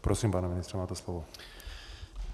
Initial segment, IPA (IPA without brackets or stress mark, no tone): p